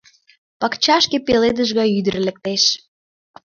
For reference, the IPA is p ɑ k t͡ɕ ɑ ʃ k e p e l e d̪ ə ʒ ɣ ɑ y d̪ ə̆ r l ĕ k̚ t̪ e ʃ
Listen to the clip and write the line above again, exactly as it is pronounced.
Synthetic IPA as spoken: p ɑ k t͡ɕ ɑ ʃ k e p e l e d̪ ə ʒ ɣ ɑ y d̪ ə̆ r l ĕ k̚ t̪ e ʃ